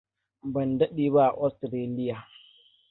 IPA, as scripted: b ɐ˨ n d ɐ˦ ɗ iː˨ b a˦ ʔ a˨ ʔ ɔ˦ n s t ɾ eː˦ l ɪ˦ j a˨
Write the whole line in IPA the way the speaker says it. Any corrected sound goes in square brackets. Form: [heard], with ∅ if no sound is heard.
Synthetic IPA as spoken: b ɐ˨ n d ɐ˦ ɗ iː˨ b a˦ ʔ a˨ ʔ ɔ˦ [∅] s t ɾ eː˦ l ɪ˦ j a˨